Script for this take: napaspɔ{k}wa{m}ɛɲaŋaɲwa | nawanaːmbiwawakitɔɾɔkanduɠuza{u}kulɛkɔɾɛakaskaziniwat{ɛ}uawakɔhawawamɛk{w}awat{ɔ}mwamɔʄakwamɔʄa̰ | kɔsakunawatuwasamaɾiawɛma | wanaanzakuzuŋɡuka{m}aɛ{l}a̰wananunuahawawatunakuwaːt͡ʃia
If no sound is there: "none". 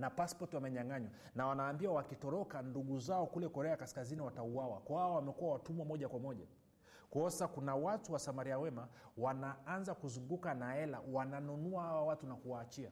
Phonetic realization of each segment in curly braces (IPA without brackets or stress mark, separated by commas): t, m, ɔ, a, u, u, n, l